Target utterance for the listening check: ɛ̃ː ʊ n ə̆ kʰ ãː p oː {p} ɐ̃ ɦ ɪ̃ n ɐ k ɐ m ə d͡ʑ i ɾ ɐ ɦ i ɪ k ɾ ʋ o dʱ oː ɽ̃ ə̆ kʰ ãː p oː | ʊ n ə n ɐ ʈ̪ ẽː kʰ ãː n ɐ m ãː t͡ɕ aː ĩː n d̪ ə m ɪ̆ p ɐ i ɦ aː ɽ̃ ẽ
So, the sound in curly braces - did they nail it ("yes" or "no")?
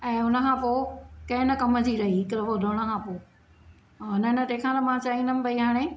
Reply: no